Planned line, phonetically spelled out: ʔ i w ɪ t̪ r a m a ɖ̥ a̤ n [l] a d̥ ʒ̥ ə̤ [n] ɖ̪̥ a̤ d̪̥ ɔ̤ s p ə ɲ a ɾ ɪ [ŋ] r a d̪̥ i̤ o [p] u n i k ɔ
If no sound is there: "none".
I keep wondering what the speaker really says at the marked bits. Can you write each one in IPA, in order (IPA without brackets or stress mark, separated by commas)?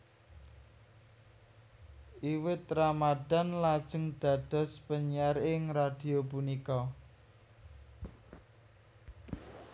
l, ŋ, ŋ, p